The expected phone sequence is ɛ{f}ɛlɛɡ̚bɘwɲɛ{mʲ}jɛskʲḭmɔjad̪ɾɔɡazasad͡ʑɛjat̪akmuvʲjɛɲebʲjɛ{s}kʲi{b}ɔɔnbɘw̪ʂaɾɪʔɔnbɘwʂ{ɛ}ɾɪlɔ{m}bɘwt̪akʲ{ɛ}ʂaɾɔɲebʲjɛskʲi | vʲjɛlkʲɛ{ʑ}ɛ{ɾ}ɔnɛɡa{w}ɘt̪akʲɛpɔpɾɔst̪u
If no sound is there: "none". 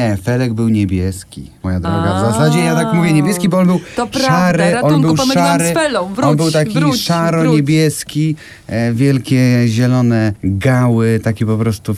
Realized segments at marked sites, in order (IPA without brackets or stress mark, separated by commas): f, bʲ, s, b, a, n, i, ʑ, l, w